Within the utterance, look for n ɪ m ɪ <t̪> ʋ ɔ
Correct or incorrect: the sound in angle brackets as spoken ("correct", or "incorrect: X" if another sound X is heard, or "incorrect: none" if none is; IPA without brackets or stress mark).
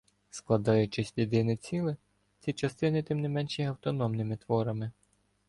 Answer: correct